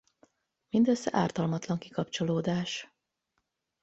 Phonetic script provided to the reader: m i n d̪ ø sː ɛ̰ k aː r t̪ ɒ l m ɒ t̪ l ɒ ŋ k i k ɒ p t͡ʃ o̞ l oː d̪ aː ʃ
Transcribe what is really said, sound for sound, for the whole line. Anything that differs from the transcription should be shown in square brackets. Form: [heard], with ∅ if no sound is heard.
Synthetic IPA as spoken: m i n d̪ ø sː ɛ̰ [ʔ] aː r t̪ ɒ l m ɒ t̪ l ɒ ŋ k i k ɒ p t͡ʃ o̞ l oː d̪ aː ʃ